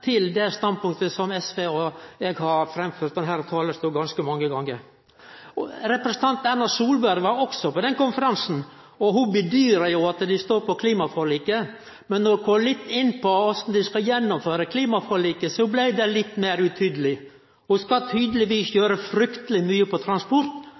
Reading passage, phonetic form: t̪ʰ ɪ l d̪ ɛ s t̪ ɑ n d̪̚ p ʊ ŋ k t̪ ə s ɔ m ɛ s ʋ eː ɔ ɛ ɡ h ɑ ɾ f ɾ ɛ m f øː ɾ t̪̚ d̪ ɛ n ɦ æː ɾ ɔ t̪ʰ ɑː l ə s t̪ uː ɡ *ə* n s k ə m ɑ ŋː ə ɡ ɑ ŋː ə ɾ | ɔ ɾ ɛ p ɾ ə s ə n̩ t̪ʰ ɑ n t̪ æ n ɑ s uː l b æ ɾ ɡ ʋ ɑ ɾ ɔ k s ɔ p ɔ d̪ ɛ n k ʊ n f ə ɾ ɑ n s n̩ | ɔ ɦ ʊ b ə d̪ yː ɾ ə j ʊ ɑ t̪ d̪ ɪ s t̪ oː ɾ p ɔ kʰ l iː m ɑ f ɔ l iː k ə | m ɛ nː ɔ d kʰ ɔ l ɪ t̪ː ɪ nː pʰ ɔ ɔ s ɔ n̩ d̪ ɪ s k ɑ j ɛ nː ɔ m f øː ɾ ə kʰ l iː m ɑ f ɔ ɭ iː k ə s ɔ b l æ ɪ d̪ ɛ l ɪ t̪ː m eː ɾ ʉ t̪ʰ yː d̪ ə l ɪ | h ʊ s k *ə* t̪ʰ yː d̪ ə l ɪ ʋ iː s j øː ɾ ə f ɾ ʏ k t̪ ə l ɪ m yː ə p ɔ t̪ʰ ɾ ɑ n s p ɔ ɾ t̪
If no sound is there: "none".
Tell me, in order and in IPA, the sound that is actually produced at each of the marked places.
ɑ, ɑ

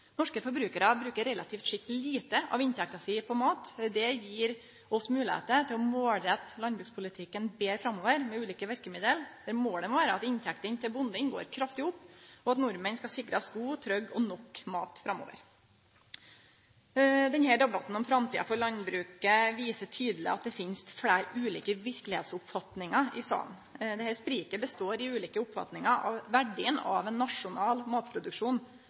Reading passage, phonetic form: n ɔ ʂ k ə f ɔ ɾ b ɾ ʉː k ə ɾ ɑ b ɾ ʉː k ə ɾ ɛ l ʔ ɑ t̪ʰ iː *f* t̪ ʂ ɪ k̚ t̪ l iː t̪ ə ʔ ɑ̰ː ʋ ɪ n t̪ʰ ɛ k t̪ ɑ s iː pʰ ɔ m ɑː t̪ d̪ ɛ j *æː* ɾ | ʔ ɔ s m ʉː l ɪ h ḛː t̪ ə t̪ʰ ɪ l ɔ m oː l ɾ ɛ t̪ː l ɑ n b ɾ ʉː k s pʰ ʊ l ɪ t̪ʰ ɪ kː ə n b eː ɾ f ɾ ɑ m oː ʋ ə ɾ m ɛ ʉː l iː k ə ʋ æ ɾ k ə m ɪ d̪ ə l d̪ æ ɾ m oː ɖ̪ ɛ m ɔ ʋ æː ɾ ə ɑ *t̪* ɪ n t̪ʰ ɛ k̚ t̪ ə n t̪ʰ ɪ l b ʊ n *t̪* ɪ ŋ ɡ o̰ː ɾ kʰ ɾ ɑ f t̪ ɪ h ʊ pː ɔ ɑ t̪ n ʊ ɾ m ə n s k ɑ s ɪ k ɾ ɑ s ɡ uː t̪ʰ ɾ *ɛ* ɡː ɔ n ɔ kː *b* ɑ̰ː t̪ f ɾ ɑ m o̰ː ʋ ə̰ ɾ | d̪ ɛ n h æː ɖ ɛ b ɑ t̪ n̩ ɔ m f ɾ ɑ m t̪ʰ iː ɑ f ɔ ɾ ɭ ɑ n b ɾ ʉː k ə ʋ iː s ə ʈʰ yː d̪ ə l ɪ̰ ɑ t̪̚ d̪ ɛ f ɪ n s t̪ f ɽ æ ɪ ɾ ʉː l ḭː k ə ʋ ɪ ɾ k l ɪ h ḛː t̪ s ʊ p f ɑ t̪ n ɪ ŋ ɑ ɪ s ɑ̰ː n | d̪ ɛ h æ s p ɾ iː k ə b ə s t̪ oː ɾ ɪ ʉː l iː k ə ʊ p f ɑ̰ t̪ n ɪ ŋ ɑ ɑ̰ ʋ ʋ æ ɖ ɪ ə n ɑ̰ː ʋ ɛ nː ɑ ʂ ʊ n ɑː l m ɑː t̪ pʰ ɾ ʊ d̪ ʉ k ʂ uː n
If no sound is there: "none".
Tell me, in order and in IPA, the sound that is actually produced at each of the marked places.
f, iː, t̪, d̪, œ, m

